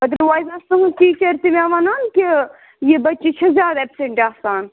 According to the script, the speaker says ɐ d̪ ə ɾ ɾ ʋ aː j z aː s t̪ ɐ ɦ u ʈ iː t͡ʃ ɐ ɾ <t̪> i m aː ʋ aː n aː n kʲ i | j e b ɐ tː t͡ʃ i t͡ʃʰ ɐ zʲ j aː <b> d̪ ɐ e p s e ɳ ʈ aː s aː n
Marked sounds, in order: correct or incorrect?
correct, incorrect

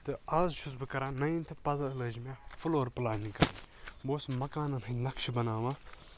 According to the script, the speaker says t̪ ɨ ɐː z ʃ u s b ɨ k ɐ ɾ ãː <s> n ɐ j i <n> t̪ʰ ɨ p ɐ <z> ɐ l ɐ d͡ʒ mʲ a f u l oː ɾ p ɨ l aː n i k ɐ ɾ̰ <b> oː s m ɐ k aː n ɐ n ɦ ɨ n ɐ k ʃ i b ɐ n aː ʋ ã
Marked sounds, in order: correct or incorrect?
incorrect, correct, correct, correct

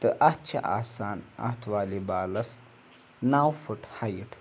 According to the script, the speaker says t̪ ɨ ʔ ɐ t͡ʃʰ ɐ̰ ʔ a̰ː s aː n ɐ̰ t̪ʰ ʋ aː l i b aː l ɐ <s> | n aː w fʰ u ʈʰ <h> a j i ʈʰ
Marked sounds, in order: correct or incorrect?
correct, correct

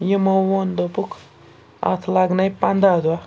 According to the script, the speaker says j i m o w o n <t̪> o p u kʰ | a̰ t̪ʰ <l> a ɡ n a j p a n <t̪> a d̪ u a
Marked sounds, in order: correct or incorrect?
incorrect, correct, incorrect

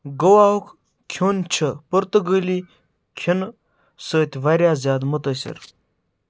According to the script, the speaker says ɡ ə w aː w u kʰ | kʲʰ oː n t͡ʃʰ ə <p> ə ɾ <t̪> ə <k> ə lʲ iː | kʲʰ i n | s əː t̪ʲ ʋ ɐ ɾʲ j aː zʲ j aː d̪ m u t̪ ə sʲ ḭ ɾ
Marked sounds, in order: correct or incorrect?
correct, correct, incorrect

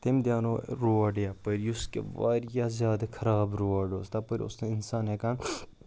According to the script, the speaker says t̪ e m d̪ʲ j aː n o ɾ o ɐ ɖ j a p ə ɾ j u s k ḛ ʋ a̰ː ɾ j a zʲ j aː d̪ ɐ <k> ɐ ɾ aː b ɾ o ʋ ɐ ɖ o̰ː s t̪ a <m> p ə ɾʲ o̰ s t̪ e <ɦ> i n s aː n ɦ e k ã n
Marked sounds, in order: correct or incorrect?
incorrect, incorrect, incorrect

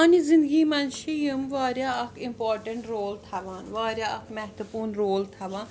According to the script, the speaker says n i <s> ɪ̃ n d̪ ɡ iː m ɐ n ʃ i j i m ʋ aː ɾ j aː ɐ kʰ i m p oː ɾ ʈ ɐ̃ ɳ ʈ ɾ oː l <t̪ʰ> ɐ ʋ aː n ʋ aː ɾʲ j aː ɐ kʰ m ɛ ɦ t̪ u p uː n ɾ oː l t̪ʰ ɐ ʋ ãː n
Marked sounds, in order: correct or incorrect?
incorrect, correct

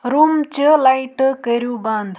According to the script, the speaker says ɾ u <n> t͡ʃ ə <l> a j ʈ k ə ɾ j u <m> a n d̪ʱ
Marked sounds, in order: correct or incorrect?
incorrect, correct, incorrect

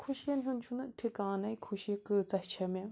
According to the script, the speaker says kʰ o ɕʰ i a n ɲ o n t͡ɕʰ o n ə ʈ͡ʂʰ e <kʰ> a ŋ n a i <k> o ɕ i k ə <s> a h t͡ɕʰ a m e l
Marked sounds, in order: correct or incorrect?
incorrect, incorrect, incorrect

